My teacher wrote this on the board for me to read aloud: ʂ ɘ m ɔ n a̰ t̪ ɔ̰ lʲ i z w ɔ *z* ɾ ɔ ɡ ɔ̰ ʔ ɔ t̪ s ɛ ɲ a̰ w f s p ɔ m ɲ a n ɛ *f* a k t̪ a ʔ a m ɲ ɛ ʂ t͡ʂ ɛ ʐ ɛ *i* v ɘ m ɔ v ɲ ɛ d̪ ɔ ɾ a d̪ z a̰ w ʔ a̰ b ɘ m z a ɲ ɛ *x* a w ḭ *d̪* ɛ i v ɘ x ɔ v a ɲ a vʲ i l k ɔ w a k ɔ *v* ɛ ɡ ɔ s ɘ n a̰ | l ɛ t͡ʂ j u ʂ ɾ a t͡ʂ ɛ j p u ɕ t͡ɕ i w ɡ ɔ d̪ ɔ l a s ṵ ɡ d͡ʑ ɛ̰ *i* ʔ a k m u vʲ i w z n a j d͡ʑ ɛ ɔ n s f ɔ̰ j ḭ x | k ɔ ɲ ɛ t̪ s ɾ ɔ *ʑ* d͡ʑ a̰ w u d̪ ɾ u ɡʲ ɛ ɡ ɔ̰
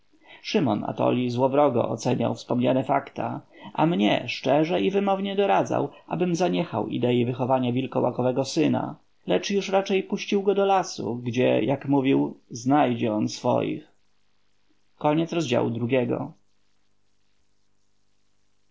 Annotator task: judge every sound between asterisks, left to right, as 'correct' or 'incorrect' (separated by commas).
incorrect, correct, correct, correct, correct, correct, incorrect, incorrect